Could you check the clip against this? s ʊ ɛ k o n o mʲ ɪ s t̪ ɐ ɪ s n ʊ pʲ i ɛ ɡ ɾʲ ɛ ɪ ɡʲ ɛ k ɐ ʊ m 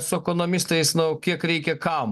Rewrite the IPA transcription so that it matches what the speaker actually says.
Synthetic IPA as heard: s ʊ ɛ k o n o mʲ ɪ s t̪ ɐ ɪ s n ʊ kʲ i ɛ k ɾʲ ɛ ɪ kʲ ɛ k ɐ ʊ m